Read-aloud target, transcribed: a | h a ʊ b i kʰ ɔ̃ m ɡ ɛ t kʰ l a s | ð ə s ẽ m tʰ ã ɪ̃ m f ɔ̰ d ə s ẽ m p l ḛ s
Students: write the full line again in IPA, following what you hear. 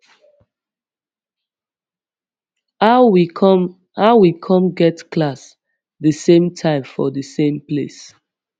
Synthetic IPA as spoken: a | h a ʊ w i kʰ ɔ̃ m ɡ ɛ t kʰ l a s | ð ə s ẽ m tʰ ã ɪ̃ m f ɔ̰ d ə s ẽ m p l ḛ s

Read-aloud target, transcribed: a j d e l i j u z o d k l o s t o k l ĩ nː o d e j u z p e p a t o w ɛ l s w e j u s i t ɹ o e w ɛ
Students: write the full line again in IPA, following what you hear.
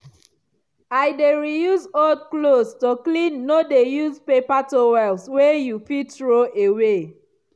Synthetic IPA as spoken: a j d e ɹ i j u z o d k l o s t o k l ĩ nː o d e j u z p e p a t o w ɛ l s w e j u f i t ɹ o e w e

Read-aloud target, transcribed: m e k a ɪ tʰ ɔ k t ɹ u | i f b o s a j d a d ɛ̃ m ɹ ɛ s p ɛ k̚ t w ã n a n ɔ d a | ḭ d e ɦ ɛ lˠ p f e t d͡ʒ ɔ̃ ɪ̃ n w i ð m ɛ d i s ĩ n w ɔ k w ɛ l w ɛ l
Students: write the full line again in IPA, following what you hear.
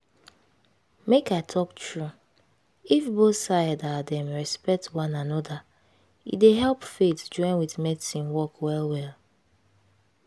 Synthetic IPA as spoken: m e k a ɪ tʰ ɔ k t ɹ u | i f b o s a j d a d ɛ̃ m ɹ ɛ s p ɛ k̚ t w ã n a n ɔ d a | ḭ d e ɦ ɛ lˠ p f e t d͡ʒ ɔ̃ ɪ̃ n w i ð m ɛ d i s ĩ n w ɔ k w ɛ l w ɛ l

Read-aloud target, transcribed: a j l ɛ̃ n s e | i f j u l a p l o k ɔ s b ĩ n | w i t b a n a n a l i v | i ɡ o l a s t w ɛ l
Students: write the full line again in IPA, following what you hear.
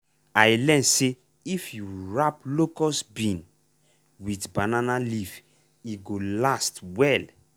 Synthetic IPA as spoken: a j l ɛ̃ n s e | i f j u ɹ a p l o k ɔ s b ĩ n | w i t b a n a n a l i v | i ɡ o l a s t w ɛ l

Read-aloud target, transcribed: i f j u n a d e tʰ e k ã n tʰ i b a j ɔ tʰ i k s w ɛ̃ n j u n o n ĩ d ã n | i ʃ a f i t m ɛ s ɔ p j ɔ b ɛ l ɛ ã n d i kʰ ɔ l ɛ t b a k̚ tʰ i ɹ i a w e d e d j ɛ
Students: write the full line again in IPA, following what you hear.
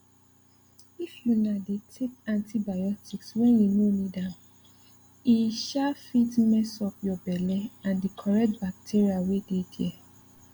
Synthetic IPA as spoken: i f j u n a d e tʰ e k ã n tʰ i b a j ɔ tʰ i k s w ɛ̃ n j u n o n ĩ d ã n | i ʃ a f i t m ɛ s ɔ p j ɔ b ɛ l ɛ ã n d i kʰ ɔ ɹ ɛ t b a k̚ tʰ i ɹ i a w e d e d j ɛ

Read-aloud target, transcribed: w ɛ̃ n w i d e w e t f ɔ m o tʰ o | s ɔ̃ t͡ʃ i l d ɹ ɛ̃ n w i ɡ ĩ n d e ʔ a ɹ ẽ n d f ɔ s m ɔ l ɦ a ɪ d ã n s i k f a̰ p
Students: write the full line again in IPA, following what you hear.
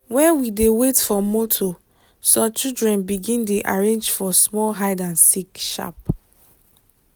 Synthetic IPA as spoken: w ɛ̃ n w i d e w e t f ɔ m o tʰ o | s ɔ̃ t͡ʃ i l d ɹ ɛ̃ n b i ɡ ĩ n d e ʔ a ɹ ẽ n d͡ʒ f ɔ s m ɔ l ɦ a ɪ d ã n s i k ʃ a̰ p

